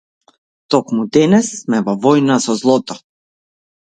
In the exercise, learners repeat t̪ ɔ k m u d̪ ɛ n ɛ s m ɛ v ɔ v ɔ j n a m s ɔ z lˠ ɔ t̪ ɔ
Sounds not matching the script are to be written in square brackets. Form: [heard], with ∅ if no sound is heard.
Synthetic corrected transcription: t̪ ɔ k m u d̪ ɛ n ɛ s m ɛ v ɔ v ɔ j n a [∅] s ɔ z lˠ ɔ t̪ ɔ